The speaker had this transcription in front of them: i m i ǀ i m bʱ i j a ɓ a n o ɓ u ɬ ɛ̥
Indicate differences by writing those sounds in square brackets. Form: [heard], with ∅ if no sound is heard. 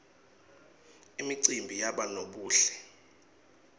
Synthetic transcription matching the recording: i m i ǀ i m bʱ i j a ɓ a n o ɓ [uː] ɬ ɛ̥